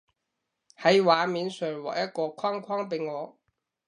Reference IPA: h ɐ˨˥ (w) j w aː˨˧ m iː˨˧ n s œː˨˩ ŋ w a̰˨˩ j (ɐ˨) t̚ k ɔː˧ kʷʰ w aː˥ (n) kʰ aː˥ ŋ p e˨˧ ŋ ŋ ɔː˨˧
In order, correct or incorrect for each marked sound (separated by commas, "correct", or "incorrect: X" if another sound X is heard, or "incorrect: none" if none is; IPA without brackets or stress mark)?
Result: incorrect: none, incorrect: ɐ˥, incorrect: ŋ